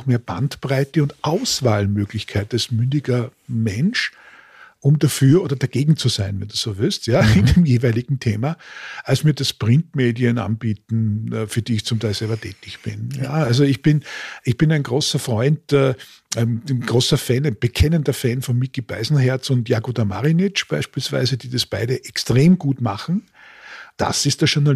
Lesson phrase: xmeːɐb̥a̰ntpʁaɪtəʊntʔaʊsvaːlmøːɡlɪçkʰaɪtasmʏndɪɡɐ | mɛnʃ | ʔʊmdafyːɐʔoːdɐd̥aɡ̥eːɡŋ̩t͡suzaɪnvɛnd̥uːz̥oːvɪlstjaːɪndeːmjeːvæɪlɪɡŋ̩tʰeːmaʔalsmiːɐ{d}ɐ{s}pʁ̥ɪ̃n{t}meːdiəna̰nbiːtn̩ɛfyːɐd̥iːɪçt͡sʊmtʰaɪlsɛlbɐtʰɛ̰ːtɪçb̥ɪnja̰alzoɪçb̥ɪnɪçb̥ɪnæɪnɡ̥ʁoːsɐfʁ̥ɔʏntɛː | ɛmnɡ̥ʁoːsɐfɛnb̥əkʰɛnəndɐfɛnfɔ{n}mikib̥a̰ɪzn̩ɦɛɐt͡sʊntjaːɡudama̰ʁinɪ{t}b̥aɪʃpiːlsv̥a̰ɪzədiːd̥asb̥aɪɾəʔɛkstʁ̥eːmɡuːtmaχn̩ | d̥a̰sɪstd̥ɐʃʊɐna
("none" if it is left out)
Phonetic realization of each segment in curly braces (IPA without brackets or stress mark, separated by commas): d, s, t, n, t͡ʃ